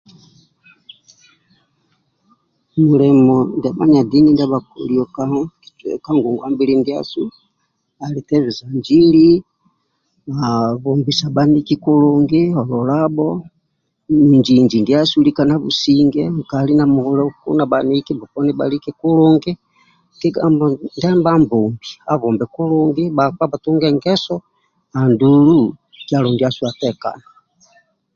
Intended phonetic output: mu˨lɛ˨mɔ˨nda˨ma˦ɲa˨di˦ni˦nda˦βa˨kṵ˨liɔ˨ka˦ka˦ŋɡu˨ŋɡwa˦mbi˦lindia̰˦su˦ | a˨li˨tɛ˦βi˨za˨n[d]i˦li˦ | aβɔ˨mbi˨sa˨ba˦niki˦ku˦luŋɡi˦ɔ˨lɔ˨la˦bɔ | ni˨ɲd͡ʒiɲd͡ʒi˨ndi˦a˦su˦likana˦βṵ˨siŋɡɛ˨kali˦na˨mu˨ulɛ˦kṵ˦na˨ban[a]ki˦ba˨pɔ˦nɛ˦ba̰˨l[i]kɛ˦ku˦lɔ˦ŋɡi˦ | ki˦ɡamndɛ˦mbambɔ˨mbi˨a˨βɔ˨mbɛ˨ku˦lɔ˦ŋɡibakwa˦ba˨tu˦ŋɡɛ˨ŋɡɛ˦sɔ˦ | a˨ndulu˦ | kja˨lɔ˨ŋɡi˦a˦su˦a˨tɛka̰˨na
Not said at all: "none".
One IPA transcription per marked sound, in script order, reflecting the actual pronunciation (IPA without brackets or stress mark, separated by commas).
d͡ʒ, i, i